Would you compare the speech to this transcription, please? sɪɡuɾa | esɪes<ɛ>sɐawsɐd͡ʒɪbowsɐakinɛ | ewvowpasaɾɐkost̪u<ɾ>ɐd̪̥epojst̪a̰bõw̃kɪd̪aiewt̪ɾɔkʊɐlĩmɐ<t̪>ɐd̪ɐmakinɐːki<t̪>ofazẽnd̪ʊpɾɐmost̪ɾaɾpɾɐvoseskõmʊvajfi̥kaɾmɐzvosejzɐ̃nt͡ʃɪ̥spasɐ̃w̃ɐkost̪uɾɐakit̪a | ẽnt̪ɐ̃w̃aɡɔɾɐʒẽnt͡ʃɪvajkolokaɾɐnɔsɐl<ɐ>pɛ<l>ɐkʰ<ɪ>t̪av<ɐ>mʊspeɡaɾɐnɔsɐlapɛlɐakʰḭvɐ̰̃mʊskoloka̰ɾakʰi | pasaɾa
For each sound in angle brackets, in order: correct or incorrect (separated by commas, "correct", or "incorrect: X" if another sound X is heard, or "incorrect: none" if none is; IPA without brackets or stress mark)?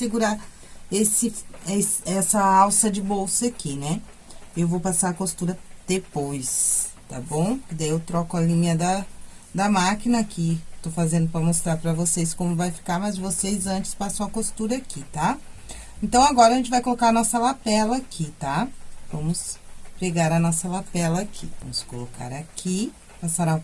correct, correct, incorrect: d̪, correct, incorrect: a, correct, incorrect: i, incorrect: ɐ̃